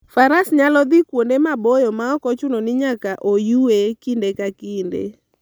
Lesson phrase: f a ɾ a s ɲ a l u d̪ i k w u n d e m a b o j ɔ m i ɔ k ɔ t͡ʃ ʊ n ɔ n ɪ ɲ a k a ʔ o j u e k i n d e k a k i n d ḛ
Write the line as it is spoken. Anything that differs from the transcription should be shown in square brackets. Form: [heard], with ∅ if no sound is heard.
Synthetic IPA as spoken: f a ɾ a s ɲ a l [ɔ] d̪ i k w [o] n d e m a b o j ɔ m [a] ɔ k ɔ t͡ʃ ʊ n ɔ n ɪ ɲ a k a ʔ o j u e k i n d e k a k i n d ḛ

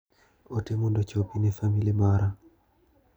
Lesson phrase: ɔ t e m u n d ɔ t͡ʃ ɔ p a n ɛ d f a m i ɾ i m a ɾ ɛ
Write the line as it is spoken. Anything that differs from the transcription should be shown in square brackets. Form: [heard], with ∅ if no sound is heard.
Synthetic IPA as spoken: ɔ t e m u n d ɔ t͡ʃ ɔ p [i] n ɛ [∅] f a m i [l] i m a ɾ [a]

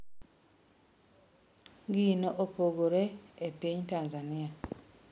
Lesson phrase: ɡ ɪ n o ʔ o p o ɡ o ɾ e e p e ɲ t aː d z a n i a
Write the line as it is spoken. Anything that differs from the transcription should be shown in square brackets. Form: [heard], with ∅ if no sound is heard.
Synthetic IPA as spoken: ɡ [i] n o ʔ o p o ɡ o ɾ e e p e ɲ t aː [n] z a n i a

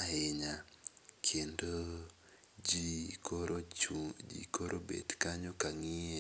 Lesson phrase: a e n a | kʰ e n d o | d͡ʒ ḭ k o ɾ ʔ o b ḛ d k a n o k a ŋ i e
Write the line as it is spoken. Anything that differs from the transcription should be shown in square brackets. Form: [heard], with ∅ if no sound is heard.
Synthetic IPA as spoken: a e [ɲ] a | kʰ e n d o | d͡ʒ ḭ k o ɾ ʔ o b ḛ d k a [ɲ] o k a ŋ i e

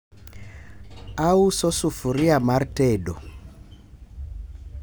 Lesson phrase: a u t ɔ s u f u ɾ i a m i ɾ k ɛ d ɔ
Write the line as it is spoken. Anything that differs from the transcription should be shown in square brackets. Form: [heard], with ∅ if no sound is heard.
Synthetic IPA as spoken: a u [s] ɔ s u f u ɾ i a m [a] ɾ [t] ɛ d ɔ

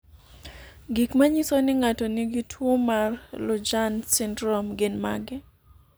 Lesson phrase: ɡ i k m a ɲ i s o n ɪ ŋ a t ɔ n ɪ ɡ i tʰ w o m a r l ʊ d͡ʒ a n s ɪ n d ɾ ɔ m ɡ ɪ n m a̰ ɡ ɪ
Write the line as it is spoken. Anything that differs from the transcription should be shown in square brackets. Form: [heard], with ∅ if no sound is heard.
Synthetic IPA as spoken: ɡ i k m a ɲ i s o n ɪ ŋ a t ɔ n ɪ ɡ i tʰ w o m a r l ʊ d͡ʒ a n s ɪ n d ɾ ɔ m ɡ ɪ n m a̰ ɡ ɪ

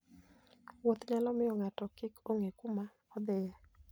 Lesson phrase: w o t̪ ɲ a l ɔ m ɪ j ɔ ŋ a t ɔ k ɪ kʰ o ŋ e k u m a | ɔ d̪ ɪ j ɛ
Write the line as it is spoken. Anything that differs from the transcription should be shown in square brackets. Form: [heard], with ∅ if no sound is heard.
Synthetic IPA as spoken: w o t̪ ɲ a l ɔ m ɪ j ɔ ŋ a t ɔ k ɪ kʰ o ŋ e k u m a | ɔ d̪ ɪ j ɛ

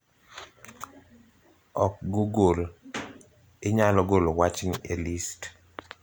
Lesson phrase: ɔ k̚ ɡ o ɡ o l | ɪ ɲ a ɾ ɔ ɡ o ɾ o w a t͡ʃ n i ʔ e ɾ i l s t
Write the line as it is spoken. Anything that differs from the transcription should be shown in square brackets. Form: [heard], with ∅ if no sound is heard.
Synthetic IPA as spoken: ɔ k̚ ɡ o ɡ o l | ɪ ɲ a [l] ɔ ɡ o [l] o w a t͡ʃ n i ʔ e [l] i [∅] s t

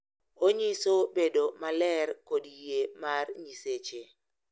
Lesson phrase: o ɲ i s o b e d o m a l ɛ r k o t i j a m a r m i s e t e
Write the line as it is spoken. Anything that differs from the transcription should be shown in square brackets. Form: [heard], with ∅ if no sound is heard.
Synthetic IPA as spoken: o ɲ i s o b e d o m a l ɛ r k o [d] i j [e] m a r [ɲ] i s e [t͡ʃ] e

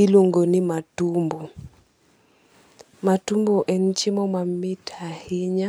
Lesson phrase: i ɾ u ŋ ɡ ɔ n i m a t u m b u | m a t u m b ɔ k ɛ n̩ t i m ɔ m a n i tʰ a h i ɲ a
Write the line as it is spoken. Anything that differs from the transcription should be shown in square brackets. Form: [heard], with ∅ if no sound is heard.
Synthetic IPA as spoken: i [l] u ŋ ɡ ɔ n i m a t u m b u | m a t u m b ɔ [ʔ] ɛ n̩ [t͡ʃ] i m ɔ m a [m] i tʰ a h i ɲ a

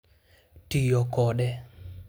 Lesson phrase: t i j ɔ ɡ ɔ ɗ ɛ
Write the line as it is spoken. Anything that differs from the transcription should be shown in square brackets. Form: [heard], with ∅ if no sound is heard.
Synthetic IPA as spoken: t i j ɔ [k] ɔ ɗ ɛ

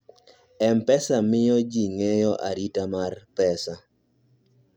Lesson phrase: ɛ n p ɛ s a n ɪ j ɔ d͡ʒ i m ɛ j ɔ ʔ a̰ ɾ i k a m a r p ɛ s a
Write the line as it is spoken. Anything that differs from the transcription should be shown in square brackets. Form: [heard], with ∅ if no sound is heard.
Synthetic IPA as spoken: ɛ [m] p ɛ s a [m] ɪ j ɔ d͡ʒ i [ŋ] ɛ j ɔ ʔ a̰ ɾ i [t] a m a r p ɛ s a

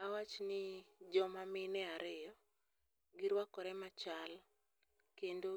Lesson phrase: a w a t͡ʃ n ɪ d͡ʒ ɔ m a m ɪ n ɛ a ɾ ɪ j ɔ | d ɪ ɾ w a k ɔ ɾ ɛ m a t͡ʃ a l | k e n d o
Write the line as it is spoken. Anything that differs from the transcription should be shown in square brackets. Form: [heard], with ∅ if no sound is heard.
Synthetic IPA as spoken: a w a t͡ʃ n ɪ d͡ʒ ɔ m a m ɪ n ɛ a ɾ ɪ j ɔ | [ɡ] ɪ ɾ w a k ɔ ɾ ɛ m a t͡ʃ a l | k e n d o

